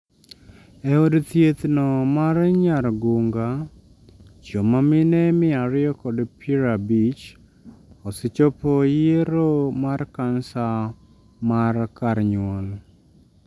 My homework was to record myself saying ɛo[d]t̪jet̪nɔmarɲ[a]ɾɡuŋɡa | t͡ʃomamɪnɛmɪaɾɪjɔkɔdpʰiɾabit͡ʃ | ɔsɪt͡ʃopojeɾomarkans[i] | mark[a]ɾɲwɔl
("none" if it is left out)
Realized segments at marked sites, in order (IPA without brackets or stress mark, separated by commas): d, a, a, a